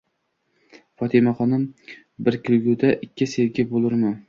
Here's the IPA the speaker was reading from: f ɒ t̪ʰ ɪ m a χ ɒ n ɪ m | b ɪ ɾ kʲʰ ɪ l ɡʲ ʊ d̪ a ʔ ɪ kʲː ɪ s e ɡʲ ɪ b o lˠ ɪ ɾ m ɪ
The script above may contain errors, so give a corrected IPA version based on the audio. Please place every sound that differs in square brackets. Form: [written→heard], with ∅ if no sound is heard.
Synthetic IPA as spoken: f ɒ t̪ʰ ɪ m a χ ɒ n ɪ m | b ɪ ɾ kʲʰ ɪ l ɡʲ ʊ d̪ a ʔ ɪ kʲː ɪ s e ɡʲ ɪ b o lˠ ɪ ɾ m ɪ